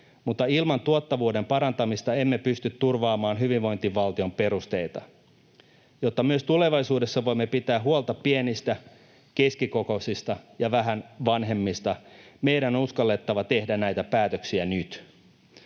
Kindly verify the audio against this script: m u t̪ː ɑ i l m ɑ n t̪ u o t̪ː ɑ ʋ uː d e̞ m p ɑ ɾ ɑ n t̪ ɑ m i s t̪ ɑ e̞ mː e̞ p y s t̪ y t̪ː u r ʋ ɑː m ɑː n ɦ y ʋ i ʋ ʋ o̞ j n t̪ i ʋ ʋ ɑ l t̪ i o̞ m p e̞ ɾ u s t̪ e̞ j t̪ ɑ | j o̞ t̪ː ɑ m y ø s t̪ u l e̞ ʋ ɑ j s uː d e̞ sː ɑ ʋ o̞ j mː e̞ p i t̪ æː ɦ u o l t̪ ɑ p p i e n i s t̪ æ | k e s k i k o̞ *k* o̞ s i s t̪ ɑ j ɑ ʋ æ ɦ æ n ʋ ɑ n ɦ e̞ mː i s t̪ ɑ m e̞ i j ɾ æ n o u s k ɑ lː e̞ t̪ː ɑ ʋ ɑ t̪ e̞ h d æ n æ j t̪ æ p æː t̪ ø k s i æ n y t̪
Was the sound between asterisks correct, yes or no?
yes